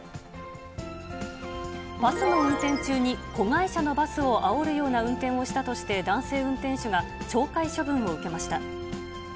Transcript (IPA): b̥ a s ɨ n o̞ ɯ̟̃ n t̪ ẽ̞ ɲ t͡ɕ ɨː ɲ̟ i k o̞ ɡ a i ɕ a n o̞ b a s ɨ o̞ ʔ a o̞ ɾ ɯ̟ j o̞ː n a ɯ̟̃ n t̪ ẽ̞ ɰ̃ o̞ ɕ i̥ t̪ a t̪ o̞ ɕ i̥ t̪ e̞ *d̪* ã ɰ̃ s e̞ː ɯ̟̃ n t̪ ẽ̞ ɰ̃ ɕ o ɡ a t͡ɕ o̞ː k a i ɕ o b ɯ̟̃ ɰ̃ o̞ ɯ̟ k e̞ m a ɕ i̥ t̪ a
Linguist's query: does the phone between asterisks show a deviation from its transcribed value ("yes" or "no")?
no